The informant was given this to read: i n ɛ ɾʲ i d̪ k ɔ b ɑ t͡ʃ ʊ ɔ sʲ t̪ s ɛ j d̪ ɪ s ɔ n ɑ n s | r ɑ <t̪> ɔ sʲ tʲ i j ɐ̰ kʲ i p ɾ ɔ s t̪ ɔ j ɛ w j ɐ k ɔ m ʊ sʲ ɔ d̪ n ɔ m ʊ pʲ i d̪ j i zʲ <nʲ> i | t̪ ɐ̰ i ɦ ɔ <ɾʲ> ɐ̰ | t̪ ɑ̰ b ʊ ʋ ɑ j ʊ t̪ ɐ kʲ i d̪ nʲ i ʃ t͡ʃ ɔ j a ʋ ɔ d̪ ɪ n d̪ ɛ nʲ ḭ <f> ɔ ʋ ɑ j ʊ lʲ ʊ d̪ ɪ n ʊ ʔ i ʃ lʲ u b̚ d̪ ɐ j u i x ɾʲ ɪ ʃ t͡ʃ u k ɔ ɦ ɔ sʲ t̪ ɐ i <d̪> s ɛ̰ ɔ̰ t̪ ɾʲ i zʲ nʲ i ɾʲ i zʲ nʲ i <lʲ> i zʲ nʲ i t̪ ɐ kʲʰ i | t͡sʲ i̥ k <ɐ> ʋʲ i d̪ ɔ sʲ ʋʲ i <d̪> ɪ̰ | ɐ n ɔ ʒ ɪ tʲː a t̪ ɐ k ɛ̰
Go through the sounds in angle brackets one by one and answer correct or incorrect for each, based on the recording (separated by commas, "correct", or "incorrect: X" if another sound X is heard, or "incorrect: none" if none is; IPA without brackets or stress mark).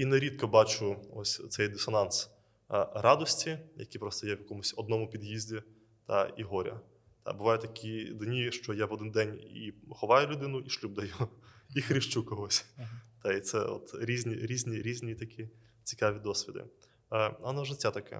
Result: incorrect: d̪, incorrect: dʲ, correct, incorrect: x, incorrect: t̪, incorrect: ɾʲ, incorrect: ɑ, correct